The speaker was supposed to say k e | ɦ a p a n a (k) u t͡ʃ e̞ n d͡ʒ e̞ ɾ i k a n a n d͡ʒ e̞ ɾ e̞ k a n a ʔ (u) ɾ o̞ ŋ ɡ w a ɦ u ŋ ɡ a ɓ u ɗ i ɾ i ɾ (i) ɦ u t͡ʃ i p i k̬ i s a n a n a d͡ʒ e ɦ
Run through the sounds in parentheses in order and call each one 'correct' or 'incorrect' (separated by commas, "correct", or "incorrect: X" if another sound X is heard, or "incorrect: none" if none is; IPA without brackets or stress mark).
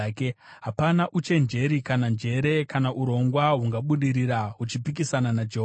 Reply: incorrect: ʔ, correct, incorrect: a